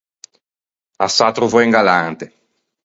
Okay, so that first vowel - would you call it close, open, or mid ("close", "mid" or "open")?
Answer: open